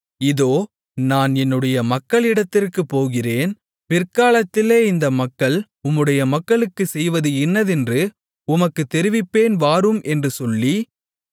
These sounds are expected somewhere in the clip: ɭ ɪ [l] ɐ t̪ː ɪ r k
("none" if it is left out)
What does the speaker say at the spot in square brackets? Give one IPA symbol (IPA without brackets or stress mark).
ɽ